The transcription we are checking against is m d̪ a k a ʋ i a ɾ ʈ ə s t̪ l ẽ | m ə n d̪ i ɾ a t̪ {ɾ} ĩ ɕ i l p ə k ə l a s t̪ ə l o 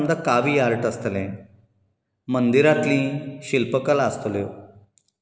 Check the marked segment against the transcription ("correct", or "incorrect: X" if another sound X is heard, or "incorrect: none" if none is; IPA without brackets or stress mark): incorrect: l